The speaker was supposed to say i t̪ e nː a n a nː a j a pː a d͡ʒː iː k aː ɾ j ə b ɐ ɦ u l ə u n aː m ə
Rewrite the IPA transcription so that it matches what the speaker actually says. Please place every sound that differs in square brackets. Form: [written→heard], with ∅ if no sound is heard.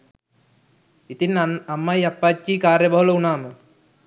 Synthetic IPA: i t̪ [e→i] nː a n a [nː→mː] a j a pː a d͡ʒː iː k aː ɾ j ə b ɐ ɦ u l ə u n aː m ə